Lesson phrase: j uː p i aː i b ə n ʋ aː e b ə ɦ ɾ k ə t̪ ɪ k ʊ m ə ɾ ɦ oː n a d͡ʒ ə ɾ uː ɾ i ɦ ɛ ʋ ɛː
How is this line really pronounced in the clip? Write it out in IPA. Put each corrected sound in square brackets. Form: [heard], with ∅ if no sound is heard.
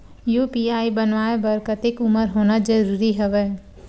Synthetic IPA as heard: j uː p i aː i b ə n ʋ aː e b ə [∅] ɾ k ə t̪ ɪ k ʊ m ə ɾ ɦ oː n a d͡ʒ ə ɾ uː ɾ i ɦ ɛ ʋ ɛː